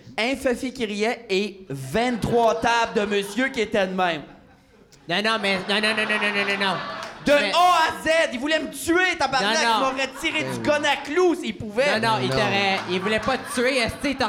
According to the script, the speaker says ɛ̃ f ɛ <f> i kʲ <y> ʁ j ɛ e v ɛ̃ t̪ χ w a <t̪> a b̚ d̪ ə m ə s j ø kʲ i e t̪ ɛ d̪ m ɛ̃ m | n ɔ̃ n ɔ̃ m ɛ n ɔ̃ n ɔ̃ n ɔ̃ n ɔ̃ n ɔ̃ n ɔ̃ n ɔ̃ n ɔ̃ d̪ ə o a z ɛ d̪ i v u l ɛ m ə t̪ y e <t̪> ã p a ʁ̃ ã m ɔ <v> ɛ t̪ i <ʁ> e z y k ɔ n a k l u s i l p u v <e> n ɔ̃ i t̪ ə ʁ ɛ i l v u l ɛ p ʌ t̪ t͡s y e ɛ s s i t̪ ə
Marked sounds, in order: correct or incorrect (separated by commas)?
correct, incorrect, correct, correct, incorrect, correct, incorrect